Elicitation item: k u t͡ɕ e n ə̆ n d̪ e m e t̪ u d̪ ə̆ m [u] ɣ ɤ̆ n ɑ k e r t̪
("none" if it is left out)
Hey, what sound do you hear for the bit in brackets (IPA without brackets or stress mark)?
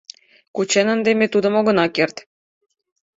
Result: o